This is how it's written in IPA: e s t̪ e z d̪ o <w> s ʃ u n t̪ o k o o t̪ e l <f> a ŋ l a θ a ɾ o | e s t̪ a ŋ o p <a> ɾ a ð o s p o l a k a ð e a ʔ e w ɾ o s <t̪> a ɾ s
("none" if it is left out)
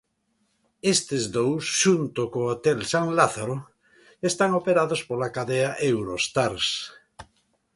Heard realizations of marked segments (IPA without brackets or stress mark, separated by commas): w, s, e, t̪